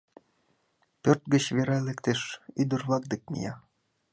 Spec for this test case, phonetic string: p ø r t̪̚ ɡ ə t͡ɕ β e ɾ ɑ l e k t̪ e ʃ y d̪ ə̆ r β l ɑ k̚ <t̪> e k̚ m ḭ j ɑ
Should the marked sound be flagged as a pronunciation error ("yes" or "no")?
yes